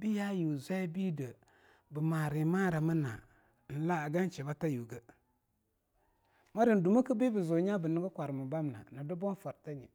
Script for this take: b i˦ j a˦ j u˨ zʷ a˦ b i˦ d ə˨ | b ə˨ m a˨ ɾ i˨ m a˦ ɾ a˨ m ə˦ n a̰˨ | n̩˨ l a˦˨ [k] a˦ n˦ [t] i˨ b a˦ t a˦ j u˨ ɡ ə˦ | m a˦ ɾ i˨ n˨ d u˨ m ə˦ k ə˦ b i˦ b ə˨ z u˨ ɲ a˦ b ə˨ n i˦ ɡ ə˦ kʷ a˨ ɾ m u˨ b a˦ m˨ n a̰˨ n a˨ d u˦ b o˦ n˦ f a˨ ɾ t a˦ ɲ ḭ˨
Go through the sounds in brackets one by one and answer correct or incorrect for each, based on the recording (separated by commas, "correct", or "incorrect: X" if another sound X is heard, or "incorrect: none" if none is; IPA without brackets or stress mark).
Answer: incorrect: ɡ, incorrect: t͡ʃ